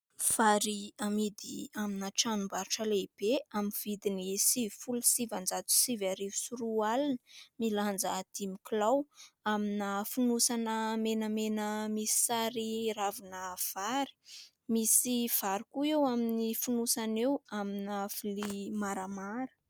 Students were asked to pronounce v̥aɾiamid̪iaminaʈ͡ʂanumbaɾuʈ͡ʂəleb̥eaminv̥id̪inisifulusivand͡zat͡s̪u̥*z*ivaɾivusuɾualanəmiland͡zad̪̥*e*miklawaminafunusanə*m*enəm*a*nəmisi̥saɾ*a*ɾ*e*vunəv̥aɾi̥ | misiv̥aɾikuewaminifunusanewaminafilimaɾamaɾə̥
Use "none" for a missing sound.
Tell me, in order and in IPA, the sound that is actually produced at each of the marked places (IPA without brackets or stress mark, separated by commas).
s, i, m, e, i, a